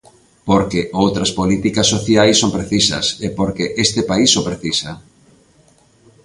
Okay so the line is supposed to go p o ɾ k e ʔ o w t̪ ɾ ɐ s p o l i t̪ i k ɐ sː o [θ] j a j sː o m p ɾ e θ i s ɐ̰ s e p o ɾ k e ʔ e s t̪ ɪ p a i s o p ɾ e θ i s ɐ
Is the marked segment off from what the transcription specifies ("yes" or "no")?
no